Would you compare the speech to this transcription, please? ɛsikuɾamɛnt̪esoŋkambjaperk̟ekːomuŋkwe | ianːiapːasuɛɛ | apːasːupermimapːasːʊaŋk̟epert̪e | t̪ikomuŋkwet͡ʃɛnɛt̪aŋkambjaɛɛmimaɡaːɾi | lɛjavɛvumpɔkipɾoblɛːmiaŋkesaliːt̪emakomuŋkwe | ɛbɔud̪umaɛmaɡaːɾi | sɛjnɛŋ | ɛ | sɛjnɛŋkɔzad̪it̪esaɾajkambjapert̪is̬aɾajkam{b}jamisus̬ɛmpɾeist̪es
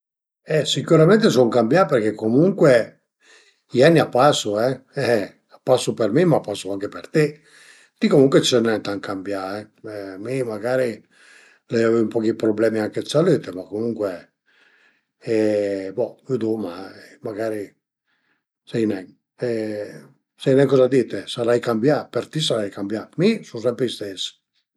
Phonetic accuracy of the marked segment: correct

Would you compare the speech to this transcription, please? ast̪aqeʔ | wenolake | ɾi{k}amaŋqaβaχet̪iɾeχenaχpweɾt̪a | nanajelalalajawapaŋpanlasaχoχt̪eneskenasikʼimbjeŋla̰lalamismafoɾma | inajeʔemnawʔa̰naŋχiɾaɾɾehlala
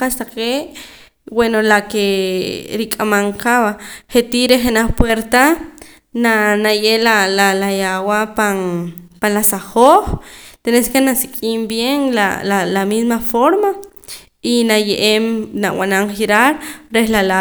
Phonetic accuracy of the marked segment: incorrect: kʼ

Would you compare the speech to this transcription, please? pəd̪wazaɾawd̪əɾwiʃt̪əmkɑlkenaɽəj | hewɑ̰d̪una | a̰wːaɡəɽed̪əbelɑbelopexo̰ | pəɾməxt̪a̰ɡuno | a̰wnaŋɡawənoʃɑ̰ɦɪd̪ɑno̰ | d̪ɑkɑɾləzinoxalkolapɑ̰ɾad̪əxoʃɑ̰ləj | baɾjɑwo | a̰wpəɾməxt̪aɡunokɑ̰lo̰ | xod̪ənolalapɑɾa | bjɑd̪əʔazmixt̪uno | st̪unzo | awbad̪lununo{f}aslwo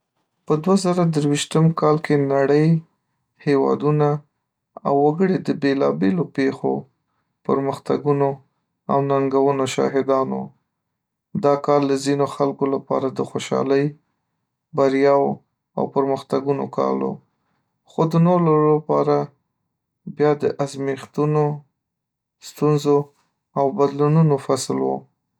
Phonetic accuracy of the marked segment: correct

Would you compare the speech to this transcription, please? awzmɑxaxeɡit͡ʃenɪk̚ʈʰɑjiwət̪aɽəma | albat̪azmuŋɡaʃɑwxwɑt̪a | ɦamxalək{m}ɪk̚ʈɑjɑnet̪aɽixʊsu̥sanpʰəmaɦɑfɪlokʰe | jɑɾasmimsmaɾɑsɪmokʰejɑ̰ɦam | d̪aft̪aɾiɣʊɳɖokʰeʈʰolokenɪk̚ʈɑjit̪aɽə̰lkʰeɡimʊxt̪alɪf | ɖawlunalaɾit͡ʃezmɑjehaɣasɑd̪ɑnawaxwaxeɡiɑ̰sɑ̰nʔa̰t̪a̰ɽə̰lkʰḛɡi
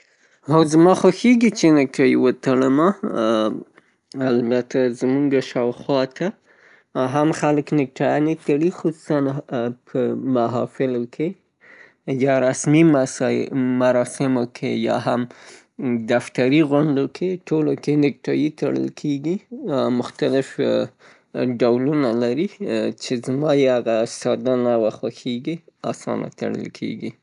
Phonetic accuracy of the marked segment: incorrect: n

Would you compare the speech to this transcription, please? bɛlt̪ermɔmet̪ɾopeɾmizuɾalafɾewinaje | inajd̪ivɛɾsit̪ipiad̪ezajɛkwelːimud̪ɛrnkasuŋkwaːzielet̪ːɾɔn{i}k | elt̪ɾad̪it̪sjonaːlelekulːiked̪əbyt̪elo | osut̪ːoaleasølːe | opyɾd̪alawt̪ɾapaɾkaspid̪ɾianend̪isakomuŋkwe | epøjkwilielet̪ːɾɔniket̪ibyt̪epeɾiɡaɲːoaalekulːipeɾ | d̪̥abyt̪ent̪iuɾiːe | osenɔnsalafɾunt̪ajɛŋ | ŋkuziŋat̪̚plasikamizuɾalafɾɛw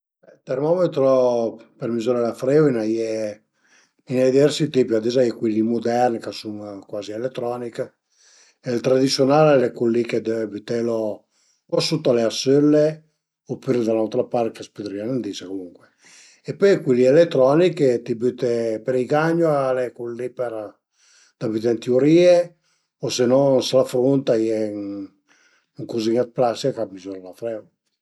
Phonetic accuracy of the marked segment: correct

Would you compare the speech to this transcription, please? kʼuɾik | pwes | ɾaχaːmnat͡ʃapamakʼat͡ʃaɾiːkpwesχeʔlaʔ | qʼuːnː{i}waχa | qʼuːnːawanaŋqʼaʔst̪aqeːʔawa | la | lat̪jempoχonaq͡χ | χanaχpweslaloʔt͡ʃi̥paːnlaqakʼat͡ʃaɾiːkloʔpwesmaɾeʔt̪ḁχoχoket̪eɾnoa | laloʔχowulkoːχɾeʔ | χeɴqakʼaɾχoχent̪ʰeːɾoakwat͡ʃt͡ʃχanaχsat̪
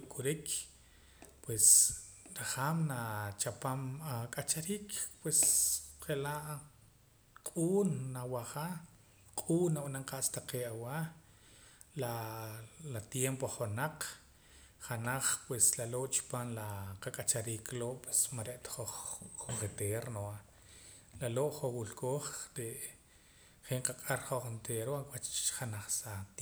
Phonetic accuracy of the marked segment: incorrect: a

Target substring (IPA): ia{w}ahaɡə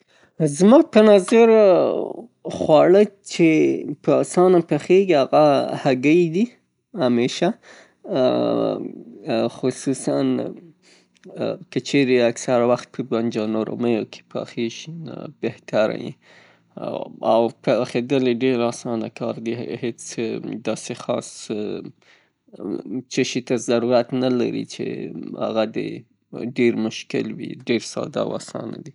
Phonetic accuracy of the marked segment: incorrect: ɣ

